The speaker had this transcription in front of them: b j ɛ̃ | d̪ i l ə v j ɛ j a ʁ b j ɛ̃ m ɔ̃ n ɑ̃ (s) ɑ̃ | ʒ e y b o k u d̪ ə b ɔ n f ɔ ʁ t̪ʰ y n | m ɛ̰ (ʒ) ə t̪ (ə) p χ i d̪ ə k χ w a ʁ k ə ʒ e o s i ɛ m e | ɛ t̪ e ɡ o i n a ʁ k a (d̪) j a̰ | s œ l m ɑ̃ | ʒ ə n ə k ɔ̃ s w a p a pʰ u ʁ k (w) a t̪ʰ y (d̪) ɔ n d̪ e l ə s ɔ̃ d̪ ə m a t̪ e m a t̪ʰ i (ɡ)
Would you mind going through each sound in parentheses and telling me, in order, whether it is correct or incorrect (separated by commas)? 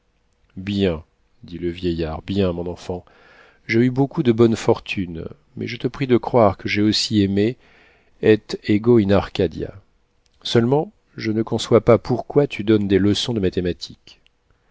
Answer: incorrect, correct, correct, correct, correct, correct, incorrect